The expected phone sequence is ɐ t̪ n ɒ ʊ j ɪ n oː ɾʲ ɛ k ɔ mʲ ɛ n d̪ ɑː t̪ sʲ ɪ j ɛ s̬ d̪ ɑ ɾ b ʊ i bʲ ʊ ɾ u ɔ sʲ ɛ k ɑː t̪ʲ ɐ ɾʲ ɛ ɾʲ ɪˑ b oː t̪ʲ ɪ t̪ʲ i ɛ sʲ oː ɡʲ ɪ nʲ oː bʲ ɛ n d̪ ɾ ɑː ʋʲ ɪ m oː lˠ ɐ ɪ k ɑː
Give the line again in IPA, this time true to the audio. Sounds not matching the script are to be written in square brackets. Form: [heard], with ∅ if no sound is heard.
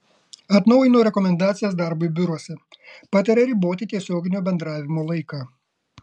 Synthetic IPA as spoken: ɐ t̪ n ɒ ʊ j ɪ n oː ɾʲ ɛ k ɔ mʲ ɛ n d̪ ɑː t̪ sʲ ɪ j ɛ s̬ d̪ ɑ ɾ b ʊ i bʲ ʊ ɾ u ɔ sʲ ɛ [p] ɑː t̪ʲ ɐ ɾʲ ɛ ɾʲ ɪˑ b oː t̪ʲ ɪ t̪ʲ i ɛ sʲ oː ɡʲ ɪ nʲ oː bʲ ɛ n d̪ ɾ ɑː ʋʲ ɪ m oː lˠ ɐ ɪ k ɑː